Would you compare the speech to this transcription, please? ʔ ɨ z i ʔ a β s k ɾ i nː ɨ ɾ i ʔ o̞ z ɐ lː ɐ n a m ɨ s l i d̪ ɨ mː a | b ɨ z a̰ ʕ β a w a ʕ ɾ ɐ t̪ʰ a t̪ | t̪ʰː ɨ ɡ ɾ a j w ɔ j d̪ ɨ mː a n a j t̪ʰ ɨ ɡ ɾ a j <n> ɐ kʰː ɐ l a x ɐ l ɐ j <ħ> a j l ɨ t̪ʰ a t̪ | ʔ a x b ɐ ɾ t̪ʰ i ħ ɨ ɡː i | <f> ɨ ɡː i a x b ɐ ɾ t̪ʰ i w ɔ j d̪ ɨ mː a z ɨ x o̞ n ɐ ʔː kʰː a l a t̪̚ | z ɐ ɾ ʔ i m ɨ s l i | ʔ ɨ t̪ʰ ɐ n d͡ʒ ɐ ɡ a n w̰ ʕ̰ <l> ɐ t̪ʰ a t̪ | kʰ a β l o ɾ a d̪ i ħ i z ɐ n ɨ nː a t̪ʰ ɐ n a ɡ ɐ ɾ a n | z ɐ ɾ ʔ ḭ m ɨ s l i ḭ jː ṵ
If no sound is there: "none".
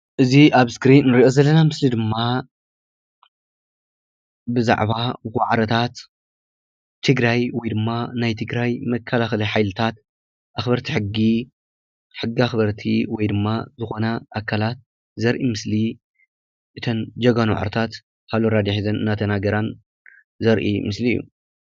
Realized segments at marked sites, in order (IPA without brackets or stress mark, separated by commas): m, ħ, ħ, ɾ